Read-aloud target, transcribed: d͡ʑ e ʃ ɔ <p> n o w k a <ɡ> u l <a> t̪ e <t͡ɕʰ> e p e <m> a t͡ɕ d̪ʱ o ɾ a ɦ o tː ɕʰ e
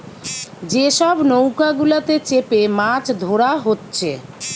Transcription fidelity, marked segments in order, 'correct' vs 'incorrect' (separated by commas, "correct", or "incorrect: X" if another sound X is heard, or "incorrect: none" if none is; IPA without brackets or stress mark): incorrect: b, correct, correct, incorrect: t͡ɕ, correct